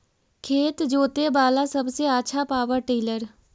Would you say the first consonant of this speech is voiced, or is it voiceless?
voiceless